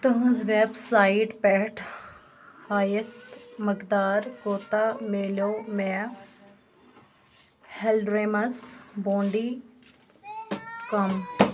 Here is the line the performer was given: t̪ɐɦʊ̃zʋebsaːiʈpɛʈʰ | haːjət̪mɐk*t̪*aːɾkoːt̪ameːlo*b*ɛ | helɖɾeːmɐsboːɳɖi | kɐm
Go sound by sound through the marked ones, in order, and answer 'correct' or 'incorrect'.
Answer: incorrect, incorrect

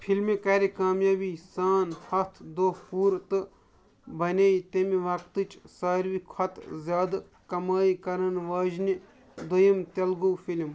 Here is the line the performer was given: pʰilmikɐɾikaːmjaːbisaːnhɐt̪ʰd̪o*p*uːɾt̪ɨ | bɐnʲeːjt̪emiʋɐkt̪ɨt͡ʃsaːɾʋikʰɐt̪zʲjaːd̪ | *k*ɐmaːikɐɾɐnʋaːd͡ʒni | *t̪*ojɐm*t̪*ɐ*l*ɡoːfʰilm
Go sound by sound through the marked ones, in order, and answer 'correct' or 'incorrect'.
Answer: correct, correct, incorrect, correct, correct

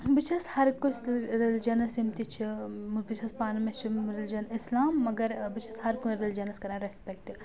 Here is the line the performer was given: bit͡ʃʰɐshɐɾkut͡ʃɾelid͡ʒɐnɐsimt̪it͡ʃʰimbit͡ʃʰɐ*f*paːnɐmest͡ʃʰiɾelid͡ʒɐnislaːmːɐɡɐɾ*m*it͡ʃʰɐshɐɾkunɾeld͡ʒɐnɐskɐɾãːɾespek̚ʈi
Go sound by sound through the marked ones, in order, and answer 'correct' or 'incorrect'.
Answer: incorrect, incorrect

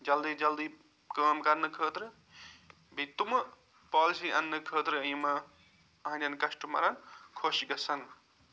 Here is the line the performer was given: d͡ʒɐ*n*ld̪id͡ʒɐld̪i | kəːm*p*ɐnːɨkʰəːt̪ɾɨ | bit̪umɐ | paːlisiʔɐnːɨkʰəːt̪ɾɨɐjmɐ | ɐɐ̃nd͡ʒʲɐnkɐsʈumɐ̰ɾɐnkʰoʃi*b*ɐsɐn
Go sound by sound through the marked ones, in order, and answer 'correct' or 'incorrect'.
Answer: incorrect, incorrect, incorrect

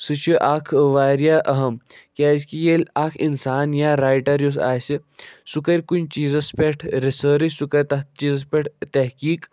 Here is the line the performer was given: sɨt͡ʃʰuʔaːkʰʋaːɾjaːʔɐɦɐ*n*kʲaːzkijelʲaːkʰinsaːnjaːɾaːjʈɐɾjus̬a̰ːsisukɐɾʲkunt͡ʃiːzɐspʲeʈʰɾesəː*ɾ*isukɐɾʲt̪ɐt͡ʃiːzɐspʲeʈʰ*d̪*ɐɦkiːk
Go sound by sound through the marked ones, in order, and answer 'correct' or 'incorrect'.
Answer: incorrect, correct, incorrect

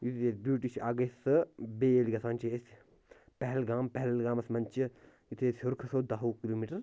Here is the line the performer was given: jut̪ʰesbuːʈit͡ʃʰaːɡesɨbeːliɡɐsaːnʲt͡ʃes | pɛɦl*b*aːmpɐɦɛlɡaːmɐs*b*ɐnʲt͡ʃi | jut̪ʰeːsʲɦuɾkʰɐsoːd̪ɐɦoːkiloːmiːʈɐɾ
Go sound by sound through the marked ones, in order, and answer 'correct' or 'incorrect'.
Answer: incorrect, incorrect

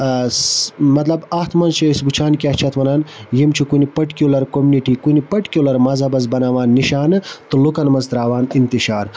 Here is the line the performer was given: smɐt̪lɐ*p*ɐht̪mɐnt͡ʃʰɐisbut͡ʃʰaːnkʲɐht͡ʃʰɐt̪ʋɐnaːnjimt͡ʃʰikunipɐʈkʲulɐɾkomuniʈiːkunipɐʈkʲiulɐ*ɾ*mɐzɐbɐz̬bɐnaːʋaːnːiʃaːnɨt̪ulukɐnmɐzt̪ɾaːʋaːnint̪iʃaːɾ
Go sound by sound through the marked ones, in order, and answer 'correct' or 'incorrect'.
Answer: incorrect, correct

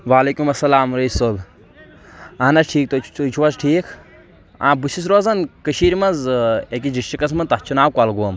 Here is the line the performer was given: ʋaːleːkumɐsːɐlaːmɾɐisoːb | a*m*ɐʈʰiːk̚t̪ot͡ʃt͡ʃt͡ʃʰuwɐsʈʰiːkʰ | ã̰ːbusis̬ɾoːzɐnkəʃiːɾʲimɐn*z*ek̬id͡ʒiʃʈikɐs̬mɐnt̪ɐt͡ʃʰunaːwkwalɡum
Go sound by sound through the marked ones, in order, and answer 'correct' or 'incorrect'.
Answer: incorrect, correct

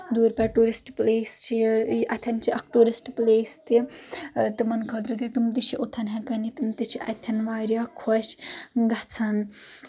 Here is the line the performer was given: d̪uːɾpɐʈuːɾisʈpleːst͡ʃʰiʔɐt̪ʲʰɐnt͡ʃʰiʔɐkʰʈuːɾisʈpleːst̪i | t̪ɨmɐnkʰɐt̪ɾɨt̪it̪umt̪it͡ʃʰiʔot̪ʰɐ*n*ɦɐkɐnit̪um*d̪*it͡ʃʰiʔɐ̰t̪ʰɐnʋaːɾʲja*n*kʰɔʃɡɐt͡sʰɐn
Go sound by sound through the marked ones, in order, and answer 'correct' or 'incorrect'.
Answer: correct, incorrect, incorrect

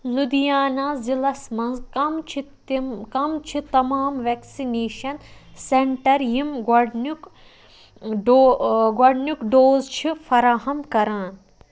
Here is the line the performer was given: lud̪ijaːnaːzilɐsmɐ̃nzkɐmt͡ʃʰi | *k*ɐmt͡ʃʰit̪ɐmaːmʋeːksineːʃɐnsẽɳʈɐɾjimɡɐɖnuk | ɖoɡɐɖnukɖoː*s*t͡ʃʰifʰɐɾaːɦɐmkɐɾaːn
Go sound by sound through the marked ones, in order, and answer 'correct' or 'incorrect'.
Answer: correct, incorrect

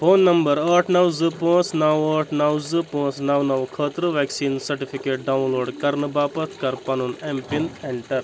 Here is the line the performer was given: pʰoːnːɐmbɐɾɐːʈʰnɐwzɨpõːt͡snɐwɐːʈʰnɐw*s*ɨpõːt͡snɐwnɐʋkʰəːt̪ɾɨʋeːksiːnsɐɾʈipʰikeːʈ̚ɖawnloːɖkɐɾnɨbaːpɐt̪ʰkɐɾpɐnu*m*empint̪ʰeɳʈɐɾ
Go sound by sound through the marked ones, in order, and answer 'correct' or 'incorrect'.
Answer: incorrect, incorrect

